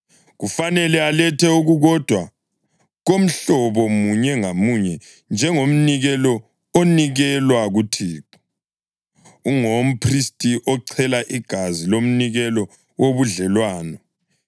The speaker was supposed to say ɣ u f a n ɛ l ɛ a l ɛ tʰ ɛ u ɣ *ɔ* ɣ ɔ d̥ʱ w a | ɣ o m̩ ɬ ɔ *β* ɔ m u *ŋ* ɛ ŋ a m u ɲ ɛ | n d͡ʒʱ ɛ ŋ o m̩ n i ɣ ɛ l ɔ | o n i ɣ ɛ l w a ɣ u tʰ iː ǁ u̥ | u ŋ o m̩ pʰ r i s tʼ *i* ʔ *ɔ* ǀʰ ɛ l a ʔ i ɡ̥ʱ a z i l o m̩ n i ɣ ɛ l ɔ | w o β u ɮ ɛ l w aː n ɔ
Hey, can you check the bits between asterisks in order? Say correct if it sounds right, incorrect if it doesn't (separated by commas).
incorrect, correct, incorrect, correct, correct